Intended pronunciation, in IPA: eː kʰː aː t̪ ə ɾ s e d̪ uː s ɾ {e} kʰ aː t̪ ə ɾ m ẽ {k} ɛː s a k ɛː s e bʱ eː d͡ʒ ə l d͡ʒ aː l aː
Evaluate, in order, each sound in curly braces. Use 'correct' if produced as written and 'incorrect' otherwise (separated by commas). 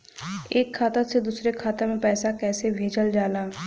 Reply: correct, incorrect